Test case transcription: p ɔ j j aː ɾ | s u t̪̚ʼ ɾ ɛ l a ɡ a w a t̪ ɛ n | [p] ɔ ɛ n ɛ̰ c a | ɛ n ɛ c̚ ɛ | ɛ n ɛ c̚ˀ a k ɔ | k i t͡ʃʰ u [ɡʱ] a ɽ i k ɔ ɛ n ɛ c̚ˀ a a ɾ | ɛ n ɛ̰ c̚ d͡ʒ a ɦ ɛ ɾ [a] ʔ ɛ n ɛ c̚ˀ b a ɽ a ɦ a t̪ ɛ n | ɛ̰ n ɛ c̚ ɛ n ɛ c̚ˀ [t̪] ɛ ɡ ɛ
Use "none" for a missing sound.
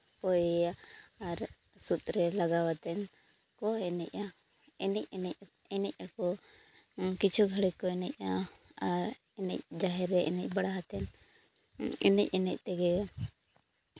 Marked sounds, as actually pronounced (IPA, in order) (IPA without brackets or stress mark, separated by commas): k, ɡʱ, ɛ, t̪